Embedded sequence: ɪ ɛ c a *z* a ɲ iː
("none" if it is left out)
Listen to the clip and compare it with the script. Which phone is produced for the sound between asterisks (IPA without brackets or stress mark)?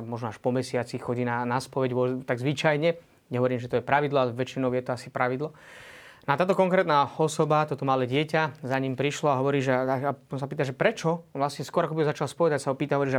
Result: z